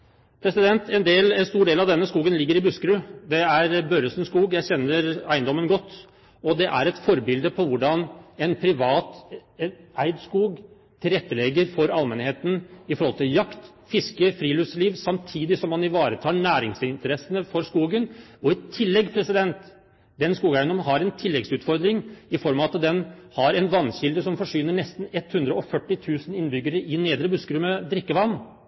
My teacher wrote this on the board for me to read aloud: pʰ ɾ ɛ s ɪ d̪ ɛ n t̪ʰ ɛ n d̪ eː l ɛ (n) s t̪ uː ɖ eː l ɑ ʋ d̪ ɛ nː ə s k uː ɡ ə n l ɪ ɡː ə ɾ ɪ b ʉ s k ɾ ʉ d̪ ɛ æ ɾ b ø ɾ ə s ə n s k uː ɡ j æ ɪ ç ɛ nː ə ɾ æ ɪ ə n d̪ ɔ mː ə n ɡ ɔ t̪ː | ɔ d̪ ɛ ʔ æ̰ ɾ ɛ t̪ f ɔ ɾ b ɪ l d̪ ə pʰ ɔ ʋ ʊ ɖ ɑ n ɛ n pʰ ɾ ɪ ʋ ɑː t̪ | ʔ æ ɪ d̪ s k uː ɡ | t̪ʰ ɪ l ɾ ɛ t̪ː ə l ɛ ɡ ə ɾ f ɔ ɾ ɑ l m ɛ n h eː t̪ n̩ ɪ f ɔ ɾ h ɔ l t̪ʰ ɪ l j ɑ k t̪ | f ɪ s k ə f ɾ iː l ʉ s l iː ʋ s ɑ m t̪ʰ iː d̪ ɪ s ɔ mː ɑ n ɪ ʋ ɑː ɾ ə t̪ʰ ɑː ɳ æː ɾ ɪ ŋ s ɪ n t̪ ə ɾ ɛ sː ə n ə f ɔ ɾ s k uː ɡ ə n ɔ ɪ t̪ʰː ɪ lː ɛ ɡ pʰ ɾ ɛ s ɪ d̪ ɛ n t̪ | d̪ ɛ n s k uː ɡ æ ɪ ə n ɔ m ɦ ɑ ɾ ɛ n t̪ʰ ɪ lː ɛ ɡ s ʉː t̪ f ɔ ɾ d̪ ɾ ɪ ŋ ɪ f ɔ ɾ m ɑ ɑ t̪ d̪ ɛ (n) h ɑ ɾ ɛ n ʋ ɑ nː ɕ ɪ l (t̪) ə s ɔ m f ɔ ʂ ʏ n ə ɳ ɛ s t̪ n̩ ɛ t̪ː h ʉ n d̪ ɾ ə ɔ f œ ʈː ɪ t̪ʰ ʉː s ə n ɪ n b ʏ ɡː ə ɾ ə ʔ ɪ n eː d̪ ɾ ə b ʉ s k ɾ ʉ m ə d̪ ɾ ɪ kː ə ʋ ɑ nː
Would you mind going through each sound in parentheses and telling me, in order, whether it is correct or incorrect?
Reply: correct, correct, incorrect: d̪

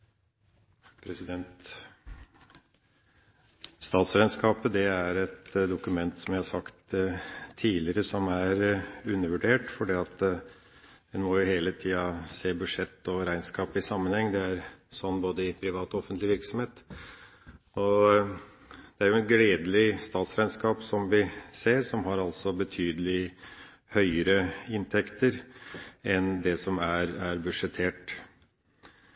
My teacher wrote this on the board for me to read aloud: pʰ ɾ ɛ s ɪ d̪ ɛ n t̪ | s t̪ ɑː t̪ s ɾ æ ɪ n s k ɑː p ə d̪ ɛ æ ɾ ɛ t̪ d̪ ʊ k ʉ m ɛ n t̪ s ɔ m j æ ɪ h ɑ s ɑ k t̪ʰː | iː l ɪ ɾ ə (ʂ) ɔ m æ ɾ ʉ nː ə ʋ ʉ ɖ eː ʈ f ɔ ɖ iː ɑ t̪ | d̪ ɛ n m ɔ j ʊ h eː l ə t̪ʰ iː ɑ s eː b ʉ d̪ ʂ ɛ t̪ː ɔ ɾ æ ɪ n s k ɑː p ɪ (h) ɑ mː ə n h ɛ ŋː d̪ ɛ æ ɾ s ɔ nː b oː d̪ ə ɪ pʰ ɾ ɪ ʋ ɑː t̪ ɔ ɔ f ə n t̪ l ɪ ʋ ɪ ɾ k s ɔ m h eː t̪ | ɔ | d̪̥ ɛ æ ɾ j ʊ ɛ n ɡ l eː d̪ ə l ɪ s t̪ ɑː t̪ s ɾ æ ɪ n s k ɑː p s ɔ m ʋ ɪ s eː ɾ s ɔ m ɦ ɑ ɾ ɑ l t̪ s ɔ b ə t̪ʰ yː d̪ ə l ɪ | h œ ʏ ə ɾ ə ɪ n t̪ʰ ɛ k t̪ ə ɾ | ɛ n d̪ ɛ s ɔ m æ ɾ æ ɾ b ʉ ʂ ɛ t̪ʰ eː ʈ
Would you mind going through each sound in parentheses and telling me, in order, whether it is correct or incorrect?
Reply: incorrect: s, incorrect: s

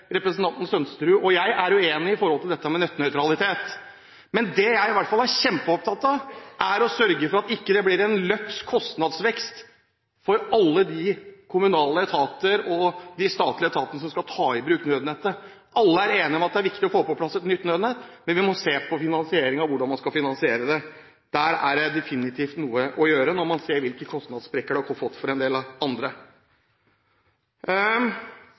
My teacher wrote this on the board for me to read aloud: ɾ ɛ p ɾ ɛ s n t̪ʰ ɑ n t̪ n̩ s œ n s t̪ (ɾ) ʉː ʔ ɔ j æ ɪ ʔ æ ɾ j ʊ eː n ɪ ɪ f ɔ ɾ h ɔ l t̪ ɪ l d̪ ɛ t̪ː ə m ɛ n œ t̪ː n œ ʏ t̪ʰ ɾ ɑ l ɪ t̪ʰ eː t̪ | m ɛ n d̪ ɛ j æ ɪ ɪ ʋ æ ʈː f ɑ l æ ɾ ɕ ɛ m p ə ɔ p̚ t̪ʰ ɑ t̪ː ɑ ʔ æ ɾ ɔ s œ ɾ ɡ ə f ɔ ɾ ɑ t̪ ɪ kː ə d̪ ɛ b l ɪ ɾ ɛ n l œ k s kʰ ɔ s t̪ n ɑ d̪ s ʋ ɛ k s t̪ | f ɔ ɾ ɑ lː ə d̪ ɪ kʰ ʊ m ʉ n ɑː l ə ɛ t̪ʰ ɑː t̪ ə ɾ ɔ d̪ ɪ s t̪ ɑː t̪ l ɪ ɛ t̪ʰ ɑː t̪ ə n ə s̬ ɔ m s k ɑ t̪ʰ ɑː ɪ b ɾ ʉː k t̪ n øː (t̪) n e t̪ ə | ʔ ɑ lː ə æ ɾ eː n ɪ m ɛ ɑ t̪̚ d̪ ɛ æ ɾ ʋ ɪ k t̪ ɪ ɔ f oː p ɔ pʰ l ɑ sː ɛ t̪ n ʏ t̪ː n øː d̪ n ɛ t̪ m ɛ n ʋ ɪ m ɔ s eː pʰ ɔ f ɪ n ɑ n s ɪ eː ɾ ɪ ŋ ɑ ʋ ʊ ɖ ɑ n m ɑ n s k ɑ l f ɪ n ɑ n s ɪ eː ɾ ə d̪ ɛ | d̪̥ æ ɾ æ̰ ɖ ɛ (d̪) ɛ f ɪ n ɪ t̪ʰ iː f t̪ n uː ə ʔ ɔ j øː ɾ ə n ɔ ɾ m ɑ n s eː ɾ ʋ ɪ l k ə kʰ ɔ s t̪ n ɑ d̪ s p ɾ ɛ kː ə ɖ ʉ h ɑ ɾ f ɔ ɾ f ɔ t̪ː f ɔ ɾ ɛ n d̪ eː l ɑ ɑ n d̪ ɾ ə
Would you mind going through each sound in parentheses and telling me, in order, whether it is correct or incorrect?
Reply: correct, incorrect: d̪, correct

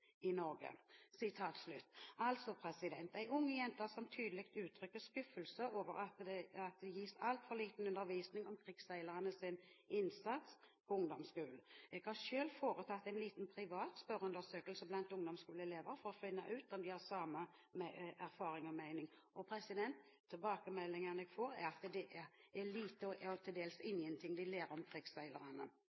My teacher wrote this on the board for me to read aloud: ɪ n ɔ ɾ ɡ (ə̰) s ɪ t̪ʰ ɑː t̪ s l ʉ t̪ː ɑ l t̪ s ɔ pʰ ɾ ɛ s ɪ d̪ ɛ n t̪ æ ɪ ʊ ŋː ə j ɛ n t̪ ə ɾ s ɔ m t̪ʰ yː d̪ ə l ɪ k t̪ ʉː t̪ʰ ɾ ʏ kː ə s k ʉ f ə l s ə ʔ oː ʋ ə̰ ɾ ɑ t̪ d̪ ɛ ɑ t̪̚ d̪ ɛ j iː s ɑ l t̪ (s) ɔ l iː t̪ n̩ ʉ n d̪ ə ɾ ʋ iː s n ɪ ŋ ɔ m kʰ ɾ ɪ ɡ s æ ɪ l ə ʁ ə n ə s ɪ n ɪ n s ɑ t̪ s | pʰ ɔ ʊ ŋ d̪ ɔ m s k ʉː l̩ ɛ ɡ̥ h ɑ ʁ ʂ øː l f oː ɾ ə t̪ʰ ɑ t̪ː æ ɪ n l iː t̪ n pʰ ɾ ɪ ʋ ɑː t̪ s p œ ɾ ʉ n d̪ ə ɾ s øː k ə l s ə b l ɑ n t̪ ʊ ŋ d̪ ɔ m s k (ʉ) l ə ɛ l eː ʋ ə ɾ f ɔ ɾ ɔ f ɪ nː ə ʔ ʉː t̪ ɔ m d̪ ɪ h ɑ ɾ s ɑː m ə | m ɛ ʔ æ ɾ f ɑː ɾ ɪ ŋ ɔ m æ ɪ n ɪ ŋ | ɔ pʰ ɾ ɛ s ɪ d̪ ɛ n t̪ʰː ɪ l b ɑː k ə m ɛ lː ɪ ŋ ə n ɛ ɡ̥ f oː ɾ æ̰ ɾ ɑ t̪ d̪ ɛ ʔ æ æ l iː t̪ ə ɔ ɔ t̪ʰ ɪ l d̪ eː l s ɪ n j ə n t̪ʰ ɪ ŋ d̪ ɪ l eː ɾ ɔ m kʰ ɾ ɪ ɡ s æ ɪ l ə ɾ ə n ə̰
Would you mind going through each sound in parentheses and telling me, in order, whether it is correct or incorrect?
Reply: correct, incorrect: f, incorrect: ʉː

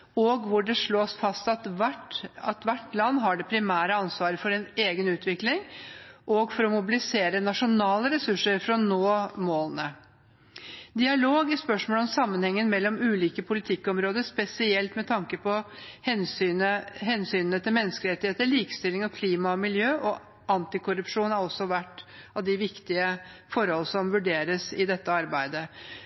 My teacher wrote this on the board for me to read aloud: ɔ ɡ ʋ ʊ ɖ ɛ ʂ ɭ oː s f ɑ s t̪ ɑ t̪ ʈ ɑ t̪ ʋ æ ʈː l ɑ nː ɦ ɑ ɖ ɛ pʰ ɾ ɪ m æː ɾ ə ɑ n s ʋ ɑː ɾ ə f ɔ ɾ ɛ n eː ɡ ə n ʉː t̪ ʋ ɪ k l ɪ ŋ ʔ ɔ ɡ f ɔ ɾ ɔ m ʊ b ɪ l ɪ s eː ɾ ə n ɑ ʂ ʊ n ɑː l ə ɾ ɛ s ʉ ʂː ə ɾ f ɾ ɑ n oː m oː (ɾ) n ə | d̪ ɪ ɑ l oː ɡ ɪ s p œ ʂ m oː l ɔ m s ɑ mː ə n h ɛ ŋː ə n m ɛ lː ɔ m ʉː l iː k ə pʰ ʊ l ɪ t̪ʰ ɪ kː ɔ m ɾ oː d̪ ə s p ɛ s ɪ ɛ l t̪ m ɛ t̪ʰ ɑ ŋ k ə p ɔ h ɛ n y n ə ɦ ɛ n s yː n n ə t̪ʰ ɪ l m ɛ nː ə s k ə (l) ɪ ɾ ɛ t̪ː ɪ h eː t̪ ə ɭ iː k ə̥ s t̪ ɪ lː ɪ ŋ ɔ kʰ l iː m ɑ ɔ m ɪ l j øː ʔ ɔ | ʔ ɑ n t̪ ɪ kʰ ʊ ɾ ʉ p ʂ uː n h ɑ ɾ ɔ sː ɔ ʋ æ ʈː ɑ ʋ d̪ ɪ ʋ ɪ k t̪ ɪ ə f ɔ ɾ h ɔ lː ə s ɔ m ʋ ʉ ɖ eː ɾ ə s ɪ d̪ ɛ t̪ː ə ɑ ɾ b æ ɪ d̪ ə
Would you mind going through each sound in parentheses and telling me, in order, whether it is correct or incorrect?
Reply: incorrect: l, correct

